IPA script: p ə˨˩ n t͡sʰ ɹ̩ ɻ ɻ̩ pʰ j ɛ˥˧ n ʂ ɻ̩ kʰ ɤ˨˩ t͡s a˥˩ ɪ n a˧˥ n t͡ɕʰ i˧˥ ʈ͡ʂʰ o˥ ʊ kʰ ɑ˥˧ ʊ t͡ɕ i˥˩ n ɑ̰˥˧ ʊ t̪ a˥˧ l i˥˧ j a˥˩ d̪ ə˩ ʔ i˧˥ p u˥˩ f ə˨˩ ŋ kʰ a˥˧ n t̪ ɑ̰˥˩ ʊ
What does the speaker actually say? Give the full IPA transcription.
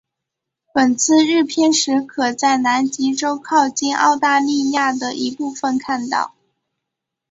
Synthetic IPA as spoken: p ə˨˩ n t͡sʰ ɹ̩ ɻ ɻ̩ pʰ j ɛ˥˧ n ʂ ɻ̩ kʰ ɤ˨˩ t͡s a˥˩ ɪ n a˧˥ n t͡ɕ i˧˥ ʈ͡ʂ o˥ ʊ kʰ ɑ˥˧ ʊ t͡ɕ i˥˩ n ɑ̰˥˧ ʊ t̪ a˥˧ l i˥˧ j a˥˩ d̪ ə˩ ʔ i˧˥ p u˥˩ f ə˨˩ n kʰ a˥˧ n t̪ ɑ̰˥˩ ʊ

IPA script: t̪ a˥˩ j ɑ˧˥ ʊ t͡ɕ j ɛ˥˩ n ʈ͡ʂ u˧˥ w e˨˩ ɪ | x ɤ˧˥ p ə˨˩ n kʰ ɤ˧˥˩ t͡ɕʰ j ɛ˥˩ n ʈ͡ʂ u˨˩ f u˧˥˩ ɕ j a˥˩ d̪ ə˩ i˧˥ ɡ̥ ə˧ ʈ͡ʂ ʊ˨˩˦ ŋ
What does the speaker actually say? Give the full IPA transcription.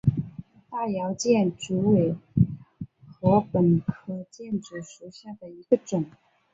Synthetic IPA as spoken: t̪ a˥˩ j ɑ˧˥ ʊ t͡ɕ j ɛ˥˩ n ʈ͡ʂ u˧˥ w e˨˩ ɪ | x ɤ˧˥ p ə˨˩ n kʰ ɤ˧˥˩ t͡ɕ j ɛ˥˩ n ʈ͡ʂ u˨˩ ʂ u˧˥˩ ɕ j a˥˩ d̪ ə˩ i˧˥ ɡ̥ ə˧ ʈ͡ʂ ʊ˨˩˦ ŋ

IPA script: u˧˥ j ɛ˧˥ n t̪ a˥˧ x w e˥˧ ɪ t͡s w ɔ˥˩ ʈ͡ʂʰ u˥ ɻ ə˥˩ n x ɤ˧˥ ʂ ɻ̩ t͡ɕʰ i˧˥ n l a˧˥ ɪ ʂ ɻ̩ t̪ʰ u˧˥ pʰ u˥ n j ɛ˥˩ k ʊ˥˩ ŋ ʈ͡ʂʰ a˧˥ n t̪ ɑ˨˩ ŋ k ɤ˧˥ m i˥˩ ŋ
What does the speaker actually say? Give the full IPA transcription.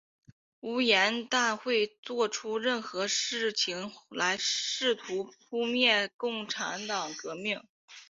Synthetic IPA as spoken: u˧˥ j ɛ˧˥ n t̪ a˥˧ x w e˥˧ ɪ t͡s w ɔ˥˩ ʈ͡ʂʰ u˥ ɻ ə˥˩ n x ɤ˧˥ ʂ ɻ̩ t͡ɕʰ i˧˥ ŋ l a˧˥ ɪ ʂ ɻ̩ t̪ʰ u˧˥ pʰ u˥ m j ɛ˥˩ k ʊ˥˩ ŋ ʈ͡ʂʰ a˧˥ n t̪ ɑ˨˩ ŋ k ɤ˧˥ m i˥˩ ŋ

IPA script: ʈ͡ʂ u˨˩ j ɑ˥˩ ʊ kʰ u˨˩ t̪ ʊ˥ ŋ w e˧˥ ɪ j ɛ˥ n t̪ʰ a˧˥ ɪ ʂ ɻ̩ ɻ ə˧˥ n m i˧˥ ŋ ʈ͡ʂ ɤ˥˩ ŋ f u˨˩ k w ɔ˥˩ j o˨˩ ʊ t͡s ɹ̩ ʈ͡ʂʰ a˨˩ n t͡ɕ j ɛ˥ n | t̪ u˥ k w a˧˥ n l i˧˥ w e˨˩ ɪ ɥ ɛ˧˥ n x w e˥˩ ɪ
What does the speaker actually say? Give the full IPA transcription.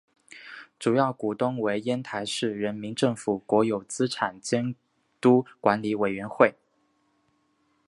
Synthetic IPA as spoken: ʈ͡ʂ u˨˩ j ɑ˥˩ ʊ k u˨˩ t̪ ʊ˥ ŋ w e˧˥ ɪ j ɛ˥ n t̪ʰ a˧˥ ɪ ʂ ɻ̩ ɻ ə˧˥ n m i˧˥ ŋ ʈ͡ʂ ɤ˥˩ ŋ f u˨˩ k w ɔ˧˥ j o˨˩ ʊ t͡s ɹ̩ ʈ͡ʂʰ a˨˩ n t͡ɕ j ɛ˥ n | t̪ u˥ k w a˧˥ n l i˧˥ w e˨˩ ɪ ɥ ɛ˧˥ n x w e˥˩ ɪ

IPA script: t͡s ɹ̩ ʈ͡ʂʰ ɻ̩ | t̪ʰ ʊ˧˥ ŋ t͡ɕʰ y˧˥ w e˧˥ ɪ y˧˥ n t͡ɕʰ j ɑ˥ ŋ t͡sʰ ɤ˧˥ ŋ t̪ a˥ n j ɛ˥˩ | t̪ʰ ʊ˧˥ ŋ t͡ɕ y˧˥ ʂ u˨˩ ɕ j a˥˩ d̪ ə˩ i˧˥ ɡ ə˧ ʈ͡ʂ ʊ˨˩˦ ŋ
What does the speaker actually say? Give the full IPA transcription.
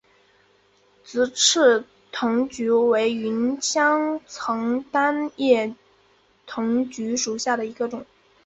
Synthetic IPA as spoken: t͡s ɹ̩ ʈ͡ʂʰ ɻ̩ | t̪ʰ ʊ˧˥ ŋ t͡ɕ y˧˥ w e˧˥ ɪ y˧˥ n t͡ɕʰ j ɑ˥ ŋ t͡sʰ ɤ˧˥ ŋ t̪ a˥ n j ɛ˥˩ | t̪ʰ ʊ˧˥ ŋ t͡ɕ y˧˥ ʂ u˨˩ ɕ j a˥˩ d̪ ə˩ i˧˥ ɡ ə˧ ʈ͡ʂ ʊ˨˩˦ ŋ

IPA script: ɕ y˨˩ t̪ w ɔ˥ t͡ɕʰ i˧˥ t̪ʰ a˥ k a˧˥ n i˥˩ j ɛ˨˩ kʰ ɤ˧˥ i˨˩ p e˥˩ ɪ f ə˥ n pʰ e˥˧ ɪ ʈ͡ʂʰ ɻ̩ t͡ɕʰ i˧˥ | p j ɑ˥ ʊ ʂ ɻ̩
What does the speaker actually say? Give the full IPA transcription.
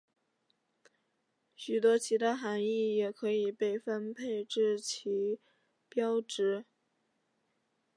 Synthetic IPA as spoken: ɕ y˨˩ t̪ w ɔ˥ t͡ɕʰ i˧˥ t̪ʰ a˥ x a˧˥ n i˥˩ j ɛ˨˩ kʰ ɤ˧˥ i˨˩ p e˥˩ ɪ f ə˥ n pʰ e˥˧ ɪ ʈ͡ʂ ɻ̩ t͡ɕʰ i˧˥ | p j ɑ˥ ʊ ʈ͡ʂ ɻ̩

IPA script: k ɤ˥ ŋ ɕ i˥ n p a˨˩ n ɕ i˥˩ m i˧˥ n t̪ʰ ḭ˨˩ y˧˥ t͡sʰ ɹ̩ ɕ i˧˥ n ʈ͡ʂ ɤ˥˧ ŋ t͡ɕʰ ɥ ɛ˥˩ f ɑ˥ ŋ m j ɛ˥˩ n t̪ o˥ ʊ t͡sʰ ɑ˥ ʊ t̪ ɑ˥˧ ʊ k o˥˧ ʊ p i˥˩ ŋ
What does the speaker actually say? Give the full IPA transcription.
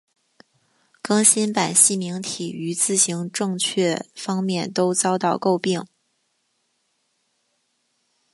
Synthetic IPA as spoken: k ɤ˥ ŋ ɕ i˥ n p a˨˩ n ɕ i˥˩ m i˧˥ ŋ t̪ʰ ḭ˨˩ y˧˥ t͡s ɹ̩ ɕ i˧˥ ŋ ʈ͡ʂ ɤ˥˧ ŋ t͡ɕʰ ɥ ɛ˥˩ f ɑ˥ ŋ m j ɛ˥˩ n t̪ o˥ ʊ t͡s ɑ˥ ʊ t̪ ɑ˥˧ ʊ k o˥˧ ʊ p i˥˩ ŋ

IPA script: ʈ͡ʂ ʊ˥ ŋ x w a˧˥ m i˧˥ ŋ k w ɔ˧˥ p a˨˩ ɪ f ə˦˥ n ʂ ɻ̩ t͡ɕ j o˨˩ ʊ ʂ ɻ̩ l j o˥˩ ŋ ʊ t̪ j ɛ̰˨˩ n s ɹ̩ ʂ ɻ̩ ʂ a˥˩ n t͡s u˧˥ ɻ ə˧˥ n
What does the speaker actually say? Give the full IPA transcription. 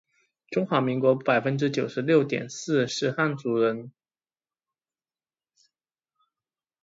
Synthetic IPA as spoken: ʈ͡ʂ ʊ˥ ŋ x w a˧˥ m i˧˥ ŋ k w ɔ˧˥ p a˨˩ ɪ f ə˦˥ n ʈ͡ʂ ɻ̩ t͡ɕ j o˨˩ ʊ ʂ ɻ̩ l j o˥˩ ʊ t̪ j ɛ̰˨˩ n s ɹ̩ ʂ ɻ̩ x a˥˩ n t͡s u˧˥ ɻ ə˧˥ n

